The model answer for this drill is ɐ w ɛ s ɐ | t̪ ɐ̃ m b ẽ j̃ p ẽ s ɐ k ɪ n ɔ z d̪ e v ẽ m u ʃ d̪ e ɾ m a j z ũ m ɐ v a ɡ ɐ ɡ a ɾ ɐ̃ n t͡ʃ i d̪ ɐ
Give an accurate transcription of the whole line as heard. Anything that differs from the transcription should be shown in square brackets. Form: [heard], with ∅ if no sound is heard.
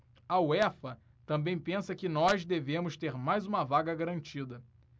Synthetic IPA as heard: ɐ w ɛ [f] ɐ | t̪ ɐ̃ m b ẽ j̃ p ẽ s ɐ k ɪ n ɔ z d̪ e v ẽ m [ʊ] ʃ [t̪] e ɾ m a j z ũ m ɐ v a ɡ ɐ ɡ a ɾ ɐ̃ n t͡ʃ i d̪ ɐ

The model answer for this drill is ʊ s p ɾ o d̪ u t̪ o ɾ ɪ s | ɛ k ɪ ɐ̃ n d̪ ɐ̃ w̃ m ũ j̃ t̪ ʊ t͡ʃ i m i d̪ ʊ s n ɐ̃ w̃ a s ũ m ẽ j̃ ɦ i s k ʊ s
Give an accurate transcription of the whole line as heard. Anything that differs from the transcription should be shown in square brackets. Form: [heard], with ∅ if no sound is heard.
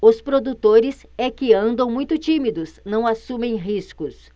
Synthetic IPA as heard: ʊ s p ɾ o d̪ u t̪ o ɾ ɪ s | ɛ k ɪ ɐ̃ n d̪ ɐ̃ w̃ m ũ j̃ t̪ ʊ t͡ʃ i m i d̪ ʊ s n ɐ̃ w̃ a s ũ m ẽ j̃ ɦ i s k ʊ s

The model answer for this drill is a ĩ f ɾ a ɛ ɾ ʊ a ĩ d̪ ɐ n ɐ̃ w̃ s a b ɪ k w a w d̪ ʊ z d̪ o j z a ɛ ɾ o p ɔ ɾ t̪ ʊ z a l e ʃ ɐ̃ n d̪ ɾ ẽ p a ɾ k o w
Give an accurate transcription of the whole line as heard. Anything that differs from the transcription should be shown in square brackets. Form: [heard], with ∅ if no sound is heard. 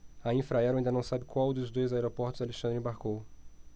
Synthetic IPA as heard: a ĩ f ɾ a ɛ ɾ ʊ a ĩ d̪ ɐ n ɐ̃ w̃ s a b ɪ k w a w d̪ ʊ z d̪ o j z a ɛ ɾ o p ɔ ɾ t̪ ʊ z a l e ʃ ɐ̃ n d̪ ɾ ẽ [b] a ɾ k o w

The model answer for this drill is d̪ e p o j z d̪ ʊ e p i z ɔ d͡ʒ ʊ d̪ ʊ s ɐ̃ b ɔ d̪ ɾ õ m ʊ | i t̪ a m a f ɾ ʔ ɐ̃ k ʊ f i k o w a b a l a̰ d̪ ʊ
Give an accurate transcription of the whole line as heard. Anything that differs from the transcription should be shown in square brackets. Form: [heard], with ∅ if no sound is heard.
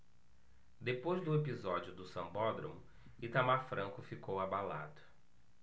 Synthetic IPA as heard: d̪ e p o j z d̪ ʊ e p i z ɔ d͡ʒ ʊ d̪ ʊ s ɐ̃ b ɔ d̪ ɾ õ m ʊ | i t̪ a m a f ɾ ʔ ɐ̃ k ʊ f i k o w a b a l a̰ d̪ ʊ

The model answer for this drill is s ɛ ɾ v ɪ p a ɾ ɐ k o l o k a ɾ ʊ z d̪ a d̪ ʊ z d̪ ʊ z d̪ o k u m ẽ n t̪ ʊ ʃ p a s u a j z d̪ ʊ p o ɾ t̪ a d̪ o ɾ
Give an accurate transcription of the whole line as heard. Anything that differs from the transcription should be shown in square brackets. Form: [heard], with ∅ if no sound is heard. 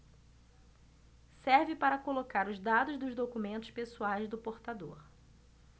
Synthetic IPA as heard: s ɛ ɾ v ɪ p a ɾ ɐ k o l o k a ɾ ʊ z d̪ a d̪ ʊ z d̪ ʊ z d̪ o k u m ẽ n t̪ ʊ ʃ p [e] s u a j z d̪ ʊ p o ɾ t̪ a d̪ o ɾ

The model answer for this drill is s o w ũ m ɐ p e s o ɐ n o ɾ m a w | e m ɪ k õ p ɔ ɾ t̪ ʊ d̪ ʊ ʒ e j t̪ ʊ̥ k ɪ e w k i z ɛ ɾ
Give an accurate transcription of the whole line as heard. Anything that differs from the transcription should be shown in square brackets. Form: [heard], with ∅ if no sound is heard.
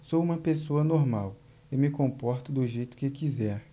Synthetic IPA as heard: s o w ũ m ɐ p e s o ɐ n o ɾ m a w | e m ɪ k õ p ɔ ɾ t̪ ʊ d̪ ʊ ʒ e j t̪ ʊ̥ k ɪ e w k i z ɛ ɾ

